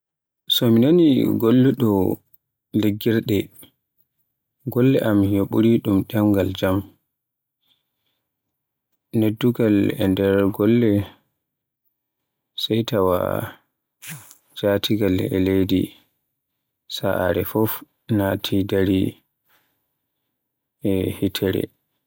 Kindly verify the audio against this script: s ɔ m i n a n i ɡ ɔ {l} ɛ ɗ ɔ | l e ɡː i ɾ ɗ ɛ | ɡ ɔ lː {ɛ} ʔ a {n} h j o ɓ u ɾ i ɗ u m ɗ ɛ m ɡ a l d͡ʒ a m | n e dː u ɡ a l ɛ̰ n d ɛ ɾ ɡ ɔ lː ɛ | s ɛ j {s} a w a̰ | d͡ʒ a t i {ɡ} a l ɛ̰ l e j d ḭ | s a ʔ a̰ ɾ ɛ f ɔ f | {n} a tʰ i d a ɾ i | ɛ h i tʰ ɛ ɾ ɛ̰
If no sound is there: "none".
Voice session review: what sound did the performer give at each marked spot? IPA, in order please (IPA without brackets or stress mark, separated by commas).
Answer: lː, ɛ, m, t, ɡ, n